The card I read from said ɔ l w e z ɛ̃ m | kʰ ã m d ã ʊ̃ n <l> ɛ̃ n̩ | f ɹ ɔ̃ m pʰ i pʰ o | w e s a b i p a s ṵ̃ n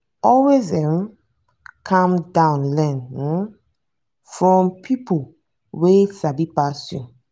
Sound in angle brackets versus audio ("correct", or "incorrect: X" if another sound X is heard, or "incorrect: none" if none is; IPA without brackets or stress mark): correct